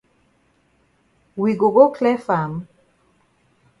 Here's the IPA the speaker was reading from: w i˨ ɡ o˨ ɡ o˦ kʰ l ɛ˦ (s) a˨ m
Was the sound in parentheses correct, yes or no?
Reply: no